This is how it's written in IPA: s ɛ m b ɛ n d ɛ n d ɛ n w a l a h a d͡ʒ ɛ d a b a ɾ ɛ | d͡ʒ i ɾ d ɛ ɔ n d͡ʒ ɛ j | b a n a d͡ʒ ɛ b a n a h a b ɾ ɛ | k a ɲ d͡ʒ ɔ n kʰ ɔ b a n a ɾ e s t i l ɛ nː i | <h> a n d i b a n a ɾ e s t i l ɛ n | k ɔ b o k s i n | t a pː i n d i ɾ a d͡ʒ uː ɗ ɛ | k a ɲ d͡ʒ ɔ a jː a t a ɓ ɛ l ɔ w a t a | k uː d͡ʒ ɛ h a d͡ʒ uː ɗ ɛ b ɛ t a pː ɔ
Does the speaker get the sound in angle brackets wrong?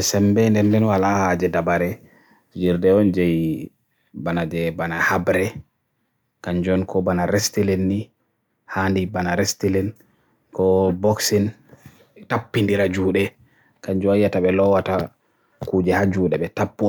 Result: no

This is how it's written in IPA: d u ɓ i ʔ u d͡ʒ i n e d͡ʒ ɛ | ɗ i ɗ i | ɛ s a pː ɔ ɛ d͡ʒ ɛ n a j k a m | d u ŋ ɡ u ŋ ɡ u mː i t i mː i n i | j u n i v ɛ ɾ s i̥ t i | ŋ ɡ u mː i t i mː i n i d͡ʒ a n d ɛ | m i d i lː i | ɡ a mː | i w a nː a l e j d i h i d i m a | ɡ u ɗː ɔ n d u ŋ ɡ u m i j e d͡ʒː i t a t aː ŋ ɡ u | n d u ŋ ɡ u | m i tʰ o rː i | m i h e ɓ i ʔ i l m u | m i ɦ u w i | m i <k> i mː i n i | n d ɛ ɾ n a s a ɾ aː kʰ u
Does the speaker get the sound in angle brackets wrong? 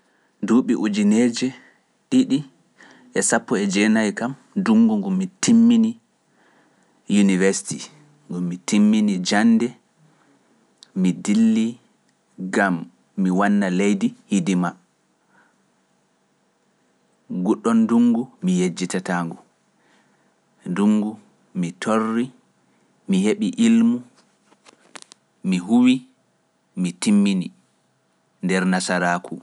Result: yes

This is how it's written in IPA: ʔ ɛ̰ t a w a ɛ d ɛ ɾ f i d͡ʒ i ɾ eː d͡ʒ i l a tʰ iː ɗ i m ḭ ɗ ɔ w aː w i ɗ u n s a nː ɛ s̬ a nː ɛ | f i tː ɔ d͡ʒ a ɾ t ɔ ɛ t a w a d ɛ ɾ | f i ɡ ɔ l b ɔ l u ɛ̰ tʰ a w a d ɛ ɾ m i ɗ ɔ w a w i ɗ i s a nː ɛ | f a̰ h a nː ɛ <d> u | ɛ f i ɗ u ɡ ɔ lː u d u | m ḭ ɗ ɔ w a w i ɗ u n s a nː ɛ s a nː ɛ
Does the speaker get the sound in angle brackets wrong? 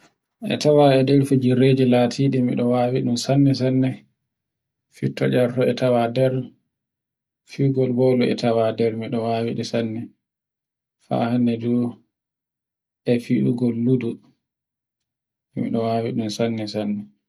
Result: no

